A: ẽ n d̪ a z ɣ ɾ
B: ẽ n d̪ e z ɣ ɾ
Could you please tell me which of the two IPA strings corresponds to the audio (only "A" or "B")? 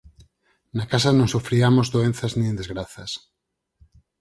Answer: B